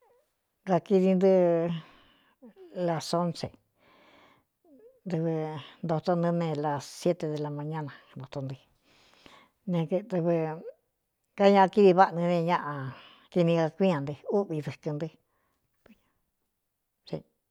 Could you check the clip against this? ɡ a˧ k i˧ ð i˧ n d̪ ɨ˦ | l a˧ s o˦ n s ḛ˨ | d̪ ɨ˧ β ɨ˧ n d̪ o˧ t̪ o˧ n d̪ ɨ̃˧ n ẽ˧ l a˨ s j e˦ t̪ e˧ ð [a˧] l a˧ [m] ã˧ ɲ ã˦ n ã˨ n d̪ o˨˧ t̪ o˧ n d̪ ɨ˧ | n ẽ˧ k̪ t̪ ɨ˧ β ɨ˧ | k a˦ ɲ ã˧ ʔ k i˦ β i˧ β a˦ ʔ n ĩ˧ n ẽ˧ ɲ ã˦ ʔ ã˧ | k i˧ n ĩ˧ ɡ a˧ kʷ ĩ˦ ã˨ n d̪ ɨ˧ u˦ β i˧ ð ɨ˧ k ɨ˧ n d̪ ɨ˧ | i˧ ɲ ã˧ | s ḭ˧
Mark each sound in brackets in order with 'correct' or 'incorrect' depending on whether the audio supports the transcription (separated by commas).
incorrect, correct